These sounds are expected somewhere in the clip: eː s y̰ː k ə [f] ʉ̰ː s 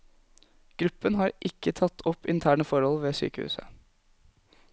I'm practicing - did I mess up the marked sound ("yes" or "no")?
yes